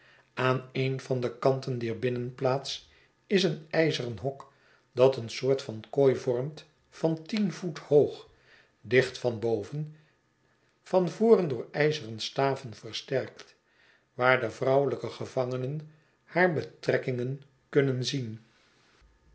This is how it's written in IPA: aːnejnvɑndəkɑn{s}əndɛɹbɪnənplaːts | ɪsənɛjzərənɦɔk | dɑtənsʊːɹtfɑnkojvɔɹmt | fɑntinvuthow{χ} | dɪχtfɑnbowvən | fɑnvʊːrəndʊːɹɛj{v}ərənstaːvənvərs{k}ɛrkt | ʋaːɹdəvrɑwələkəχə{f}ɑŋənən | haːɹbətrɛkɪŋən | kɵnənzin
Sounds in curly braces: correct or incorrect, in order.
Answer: incorrect: t, correct, incorrect: z, incorrect: t, incorrect: v

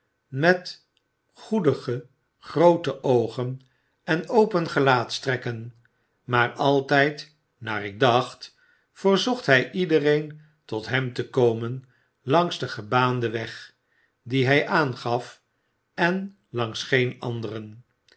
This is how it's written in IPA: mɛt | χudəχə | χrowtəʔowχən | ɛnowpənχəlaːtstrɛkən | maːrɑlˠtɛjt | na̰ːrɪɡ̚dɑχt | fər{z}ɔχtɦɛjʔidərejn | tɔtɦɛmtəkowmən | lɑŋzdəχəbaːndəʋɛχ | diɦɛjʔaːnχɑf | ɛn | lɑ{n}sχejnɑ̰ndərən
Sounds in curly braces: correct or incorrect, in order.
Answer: correct, incorrect: ŋ

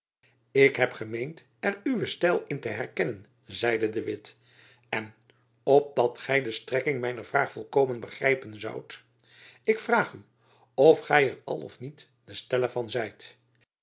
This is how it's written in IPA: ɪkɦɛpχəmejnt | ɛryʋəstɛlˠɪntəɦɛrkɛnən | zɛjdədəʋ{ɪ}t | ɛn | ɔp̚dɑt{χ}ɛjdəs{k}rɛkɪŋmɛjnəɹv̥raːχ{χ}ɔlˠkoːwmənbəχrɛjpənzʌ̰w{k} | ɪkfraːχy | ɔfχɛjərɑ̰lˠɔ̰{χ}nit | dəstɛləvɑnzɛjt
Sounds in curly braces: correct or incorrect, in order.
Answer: correct, correct, incorrect: t, incorrect: f, incorrect: t, incorrect: f

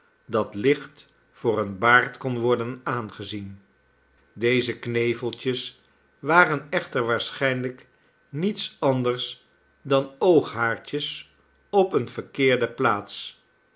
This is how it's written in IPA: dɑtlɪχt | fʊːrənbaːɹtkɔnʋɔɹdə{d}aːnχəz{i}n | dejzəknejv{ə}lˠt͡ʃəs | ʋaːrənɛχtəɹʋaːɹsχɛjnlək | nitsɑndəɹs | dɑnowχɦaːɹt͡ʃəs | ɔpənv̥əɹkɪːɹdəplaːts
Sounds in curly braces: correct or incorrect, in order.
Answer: incorrect: n, correct, correct

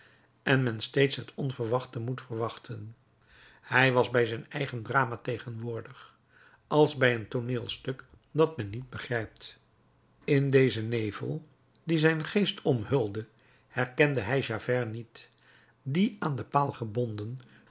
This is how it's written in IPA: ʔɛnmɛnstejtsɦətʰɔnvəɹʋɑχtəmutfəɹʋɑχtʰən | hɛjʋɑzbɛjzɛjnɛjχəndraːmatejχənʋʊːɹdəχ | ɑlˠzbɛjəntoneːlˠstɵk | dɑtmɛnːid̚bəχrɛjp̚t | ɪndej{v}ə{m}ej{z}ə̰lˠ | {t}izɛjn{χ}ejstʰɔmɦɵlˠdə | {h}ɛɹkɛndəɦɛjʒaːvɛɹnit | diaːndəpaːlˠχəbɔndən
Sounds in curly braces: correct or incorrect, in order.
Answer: incorrect: z, incorrect: n, incorrect: v, incorrect: d, correct, correct

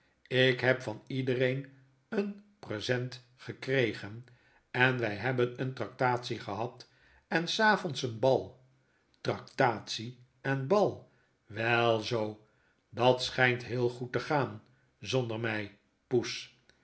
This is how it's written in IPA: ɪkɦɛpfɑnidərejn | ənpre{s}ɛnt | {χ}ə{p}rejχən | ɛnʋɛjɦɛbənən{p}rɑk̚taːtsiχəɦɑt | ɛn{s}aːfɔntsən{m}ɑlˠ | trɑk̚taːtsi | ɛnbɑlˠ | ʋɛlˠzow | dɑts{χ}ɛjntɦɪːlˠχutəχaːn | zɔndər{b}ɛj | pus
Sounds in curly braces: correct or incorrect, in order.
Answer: incorrect: z, correct, incorrect: k, incorrect: t, correct, incorrect: b, correct, incorrect: m

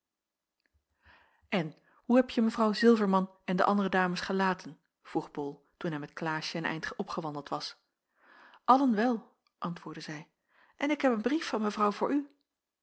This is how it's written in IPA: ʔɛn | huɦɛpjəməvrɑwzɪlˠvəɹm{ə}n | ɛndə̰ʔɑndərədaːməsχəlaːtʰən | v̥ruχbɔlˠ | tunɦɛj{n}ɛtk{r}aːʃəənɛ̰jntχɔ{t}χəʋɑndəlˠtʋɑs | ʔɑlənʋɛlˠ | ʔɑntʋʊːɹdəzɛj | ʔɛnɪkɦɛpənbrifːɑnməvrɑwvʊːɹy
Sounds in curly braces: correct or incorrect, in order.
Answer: incorrect: ɑ, incorrect: m, incorrect: l, incorrect: p

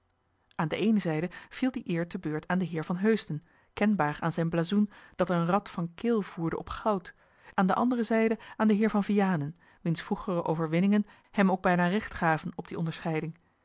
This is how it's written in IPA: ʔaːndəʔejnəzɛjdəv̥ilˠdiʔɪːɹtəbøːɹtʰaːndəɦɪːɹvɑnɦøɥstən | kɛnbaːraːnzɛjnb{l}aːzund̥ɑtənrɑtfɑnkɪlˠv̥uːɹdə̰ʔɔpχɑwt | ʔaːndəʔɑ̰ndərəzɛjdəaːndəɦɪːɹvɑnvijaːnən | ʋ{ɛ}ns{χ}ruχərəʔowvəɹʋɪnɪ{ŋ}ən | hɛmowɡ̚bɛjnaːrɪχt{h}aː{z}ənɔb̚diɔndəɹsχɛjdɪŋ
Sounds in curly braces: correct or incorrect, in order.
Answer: correct, incorrect: i, incorrect: f, correct, incorrect: χ, incorrect: v

